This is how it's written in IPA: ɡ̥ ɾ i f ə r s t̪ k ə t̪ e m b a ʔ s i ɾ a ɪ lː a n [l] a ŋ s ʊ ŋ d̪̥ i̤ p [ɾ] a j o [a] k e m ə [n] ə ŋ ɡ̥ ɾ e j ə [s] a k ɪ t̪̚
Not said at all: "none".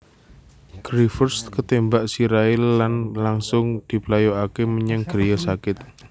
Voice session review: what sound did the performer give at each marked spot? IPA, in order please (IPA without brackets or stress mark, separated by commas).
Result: l, l, a, ɲ, s